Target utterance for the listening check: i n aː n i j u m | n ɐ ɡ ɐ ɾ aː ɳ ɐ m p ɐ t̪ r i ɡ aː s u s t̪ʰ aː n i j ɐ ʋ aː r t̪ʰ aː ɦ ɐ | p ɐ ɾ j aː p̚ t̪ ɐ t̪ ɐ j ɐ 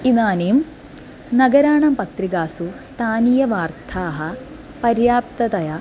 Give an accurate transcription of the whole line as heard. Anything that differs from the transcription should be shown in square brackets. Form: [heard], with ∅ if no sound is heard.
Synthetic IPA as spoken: i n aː n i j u m | n ɐ ɡ ɐ ɾ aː ɳ ɐ m p ɐ t̪ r i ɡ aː s u s t̪ʰ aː n i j ɐ ʋ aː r t̪ʰ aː ɦ ɐ | p ɐ ɾ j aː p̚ t̪ ɐ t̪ ɐ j ɐ

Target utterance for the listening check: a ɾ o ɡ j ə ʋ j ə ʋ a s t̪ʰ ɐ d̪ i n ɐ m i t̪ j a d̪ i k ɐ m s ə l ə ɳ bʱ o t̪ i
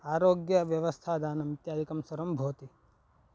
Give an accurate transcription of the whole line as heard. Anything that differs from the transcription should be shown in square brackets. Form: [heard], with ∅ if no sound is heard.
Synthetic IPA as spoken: a ɾ o ɡ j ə ʋ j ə ʋ [ə] s t̪ʰ [a] d̪ [a] n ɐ m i t̪ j a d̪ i k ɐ m s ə [ɾ] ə [m] bʱ o t̪ i

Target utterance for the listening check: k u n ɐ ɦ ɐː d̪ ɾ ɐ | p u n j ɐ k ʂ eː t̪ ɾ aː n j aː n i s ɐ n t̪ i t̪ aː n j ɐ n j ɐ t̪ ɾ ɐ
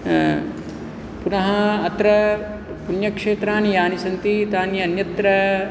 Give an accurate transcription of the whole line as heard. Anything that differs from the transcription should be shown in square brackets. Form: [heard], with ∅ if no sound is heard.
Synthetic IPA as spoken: [p] u n ɐ ɦ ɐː [t̪] ɾ ɐ | p u n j ɐ k ʂ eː t̪ ɾ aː n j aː n i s ɐ n t̪ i t̪ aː n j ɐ n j ɐ t̪ ɾ ɐ

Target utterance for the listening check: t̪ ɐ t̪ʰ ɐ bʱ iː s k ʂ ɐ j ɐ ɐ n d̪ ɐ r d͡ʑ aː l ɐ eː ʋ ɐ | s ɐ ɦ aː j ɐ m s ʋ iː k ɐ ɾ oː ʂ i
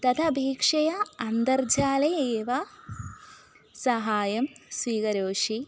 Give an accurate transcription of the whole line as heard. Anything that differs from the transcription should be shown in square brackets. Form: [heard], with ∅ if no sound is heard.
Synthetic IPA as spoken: t̪ ɐ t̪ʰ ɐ bʱ iː [∅] k ʂ ɐ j ɐ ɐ n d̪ ɐ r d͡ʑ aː l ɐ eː ʋ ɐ | s ɐ ɦ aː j ɐ m s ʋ iː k ɐ ɾ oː ʂ i

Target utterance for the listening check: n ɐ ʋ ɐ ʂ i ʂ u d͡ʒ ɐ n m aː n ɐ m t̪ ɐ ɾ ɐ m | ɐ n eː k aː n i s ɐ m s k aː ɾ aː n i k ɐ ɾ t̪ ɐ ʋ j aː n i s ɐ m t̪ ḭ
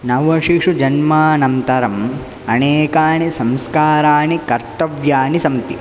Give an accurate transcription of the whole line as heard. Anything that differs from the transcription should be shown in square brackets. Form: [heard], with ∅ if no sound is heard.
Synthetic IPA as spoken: n ɐ ʋ ɐ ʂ i ʂ u d͡ʒ ɐ n m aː n ɐ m t̪ ɐ ɾ ɐ m | ɐ n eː k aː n i s ɐ m s k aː ɾ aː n i k ɐ ɾ t̪ ɐ ʋ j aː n i s ɐ m t̪ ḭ

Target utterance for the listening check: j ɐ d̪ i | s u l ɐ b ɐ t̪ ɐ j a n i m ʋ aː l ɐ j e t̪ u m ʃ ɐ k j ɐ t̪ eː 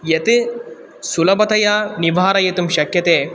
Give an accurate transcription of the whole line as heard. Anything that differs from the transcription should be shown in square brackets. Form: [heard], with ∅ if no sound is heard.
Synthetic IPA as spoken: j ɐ [t̪] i | s u l ɐ b ɐ t̪ ɐ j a n i [∅] ʋ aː [ɾ] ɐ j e t̪ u m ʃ ɐ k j ɐ t̪ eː

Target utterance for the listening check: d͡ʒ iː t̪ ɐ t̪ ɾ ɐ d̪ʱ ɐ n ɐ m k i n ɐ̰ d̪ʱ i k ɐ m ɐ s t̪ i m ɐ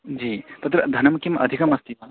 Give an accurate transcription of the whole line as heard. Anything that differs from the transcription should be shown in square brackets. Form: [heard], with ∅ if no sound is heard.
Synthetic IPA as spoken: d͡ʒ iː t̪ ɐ t̪ ɾ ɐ d̪ʱ ɐ n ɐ m k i [m] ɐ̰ d̪ʱ i k ɐ m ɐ s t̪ i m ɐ

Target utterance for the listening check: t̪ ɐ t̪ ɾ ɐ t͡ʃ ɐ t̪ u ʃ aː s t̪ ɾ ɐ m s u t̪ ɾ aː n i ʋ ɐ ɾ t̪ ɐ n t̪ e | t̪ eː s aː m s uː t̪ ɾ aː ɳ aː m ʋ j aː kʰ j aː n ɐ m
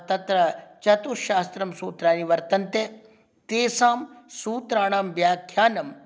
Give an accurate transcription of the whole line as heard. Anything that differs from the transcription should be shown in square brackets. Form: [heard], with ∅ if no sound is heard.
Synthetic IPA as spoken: t̪ ɐ t̪ ɾ ɐ t͡ʃ ɐ t̪ u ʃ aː s t̪ ɾ ɐ m s [uː] t̪ ɾ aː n i ʋ ɐ ɾ t̪ ɐ n t̪ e | t̪ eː s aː m s uː t̪ ɾ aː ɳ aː m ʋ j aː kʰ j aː n ɐ m

